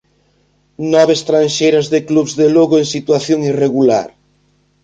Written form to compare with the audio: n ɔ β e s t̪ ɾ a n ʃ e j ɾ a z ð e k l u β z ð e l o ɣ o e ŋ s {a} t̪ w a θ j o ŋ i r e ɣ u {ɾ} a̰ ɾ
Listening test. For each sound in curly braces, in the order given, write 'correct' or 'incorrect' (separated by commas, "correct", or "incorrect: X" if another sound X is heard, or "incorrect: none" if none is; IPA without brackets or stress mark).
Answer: incorrect: i, incorrect: l